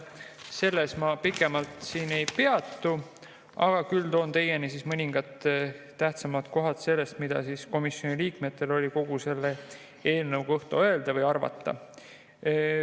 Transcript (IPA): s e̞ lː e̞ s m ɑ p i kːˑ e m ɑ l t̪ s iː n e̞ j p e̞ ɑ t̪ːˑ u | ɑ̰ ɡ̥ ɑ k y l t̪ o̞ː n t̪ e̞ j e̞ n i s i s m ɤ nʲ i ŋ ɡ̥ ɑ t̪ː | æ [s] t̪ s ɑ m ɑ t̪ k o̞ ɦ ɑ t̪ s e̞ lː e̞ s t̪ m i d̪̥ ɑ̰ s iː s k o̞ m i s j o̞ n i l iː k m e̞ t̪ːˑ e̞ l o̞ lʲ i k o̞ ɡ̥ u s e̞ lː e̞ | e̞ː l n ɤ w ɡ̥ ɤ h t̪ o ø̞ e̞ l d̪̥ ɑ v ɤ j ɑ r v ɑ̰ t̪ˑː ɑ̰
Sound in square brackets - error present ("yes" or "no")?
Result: yes